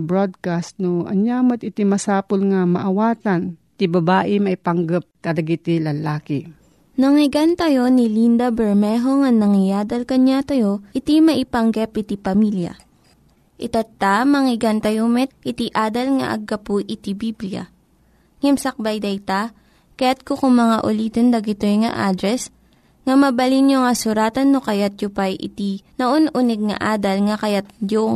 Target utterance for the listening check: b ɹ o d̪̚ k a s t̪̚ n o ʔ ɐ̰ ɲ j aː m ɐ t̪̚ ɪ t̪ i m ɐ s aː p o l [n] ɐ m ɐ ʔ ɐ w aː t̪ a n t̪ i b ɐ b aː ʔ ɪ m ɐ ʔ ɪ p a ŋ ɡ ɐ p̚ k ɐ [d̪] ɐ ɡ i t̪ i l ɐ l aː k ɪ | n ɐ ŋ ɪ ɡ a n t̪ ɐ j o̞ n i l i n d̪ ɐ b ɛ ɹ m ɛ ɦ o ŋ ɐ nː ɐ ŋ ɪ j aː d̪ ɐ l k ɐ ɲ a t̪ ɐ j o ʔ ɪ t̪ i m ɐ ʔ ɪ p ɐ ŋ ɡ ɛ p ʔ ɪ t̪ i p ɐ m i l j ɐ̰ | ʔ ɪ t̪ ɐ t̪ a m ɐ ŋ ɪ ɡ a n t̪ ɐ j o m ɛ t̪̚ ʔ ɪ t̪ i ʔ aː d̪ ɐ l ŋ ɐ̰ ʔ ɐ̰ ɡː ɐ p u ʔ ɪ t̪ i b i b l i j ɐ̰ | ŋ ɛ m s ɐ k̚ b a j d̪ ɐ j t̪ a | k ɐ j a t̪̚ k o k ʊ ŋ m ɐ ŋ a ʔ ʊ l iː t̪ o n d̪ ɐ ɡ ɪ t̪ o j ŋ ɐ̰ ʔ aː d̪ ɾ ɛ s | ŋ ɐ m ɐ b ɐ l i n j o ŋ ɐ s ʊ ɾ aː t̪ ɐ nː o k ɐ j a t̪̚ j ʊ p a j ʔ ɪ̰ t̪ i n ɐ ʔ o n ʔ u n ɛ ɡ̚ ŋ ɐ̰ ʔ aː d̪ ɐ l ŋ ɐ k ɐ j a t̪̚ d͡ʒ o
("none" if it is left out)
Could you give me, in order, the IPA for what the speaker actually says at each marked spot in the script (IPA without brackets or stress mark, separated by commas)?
ŋ, d̪